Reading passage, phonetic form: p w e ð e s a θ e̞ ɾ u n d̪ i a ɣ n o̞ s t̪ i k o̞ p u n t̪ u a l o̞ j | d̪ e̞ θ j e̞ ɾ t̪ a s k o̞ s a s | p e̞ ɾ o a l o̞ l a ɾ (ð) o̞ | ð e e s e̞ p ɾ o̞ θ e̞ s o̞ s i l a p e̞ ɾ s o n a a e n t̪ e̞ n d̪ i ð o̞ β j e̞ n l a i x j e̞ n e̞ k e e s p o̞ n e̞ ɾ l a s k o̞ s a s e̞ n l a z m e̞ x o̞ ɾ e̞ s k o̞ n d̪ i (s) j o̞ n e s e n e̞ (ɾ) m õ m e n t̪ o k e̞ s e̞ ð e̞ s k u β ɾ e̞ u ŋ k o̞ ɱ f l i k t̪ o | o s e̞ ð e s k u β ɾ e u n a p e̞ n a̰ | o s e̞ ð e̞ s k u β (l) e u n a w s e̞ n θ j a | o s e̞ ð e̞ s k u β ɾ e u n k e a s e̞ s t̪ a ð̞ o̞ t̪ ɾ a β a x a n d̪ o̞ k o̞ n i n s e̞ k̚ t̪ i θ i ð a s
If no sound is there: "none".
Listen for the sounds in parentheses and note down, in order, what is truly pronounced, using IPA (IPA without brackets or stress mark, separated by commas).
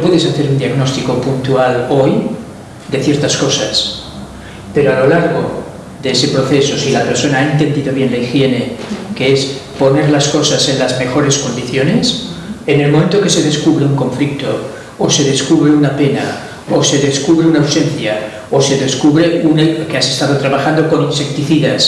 ɣ, θ, l, ɾ